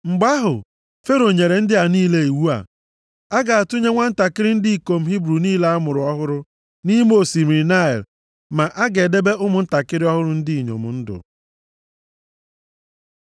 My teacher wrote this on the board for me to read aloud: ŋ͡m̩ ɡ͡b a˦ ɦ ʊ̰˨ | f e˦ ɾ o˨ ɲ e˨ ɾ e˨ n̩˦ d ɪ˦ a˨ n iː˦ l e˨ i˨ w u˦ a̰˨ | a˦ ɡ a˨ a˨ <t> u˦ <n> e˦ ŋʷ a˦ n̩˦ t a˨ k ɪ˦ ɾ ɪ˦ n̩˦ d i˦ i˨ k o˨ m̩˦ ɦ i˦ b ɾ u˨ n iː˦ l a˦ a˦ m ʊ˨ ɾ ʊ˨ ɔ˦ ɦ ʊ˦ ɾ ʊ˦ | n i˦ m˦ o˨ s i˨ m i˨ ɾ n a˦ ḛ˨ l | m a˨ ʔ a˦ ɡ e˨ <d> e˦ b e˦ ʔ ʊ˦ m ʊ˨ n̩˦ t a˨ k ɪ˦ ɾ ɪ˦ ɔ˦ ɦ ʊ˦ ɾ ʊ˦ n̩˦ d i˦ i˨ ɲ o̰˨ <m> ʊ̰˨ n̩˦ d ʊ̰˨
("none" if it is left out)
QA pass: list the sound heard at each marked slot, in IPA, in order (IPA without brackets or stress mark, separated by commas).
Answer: t, ɲ, d, m